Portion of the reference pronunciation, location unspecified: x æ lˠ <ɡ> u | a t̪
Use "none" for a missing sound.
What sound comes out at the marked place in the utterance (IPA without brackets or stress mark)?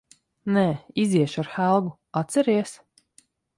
ɡ